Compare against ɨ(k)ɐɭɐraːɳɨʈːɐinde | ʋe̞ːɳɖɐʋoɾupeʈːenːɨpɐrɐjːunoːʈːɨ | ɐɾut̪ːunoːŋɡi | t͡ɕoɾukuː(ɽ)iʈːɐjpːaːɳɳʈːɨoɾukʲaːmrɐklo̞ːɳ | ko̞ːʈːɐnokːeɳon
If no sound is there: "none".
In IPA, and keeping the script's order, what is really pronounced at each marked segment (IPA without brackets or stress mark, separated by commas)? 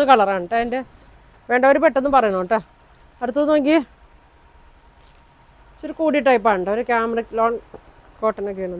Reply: k, ɽ